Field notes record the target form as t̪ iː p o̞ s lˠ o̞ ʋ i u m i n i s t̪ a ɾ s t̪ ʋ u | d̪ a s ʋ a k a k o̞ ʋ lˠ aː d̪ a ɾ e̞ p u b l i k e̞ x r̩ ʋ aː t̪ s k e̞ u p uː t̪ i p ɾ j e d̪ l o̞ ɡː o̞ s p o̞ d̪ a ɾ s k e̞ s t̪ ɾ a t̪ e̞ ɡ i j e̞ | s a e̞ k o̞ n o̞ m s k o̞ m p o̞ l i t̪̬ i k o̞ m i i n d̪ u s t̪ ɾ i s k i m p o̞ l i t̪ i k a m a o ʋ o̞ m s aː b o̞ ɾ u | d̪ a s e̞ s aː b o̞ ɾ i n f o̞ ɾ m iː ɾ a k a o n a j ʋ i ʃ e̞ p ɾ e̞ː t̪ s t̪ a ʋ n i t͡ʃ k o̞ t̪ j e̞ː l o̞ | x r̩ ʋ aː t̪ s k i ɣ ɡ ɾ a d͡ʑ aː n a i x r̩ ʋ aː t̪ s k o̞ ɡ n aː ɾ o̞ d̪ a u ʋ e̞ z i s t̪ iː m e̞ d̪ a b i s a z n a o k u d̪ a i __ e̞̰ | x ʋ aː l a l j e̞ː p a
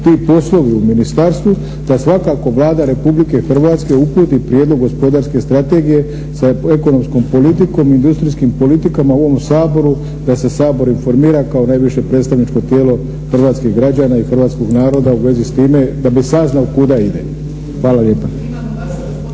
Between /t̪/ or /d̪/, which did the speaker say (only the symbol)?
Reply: d̪